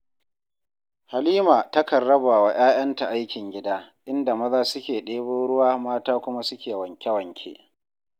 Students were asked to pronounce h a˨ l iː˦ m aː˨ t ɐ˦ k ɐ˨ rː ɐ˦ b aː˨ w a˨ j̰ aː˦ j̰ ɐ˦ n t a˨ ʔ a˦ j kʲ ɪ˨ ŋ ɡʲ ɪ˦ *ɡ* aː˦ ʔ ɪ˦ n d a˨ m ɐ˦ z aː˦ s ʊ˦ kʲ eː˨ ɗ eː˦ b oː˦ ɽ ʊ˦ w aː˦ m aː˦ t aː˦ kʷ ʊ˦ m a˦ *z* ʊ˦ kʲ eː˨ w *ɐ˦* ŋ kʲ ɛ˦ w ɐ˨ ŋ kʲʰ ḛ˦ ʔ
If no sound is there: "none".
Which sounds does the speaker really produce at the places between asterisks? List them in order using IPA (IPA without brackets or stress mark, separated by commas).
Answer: d, s, ɐ˨